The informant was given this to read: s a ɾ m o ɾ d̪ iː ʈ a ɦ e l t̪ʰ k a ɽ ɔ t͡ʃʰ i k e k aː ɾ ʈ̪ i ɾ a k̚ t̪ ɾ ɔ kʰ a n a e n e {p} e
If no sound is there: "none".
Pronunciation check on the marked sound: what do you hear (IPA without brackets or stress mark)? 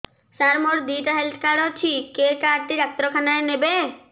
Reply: b